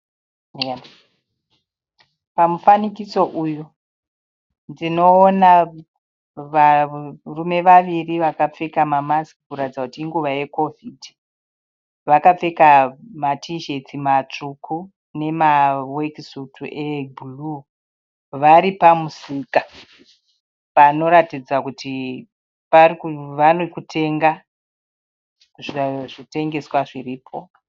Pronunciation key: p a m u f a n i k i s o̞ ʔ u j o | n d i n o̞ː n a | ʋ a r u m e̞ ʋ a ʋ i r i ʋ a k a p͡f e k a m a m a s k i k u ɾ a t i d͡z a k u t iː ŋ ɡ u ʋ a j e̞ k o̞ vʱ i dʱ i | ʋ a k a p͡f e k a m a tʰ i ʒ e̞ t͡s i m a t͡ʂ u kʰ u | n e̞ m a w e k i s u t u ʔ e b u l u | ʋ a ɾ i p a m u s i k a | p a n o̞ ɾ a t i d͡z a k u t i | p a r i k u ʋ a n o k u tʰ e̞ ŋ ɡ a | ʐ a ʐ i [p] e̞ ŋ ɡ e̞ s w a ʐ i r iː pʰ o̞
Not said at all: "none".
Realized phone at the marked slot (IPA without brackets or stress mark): t